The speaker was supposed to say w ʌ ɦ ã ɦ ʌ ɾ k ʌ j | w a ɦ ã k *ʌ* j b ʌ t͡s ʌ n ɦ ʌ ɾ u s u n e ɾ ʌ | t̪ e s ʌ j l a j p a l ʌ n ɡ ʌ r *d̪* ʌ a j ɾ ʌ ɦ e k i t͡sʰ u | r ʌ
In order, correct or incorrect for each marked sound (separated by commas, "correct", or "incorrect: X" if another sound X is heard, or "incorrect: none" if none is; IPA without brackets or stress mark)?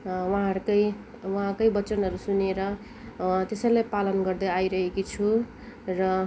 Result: correct, correct